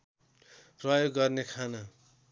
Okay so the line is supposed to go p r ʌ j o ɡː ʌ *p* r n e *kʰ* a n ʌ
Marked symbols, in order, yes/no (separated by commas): no, yes